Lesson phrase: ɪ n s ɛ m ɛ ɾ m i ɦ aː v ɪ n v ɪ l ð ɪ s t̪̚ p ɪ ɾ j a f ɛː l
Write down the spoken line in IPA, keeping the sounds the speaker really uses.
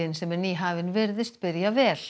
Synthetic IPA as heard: ɪ n s ɛ m ɛ ɾ n i ɦ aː v ɪ n v ɪ ɾ ð ɪ s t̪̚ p ɪ ɾ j a v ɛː l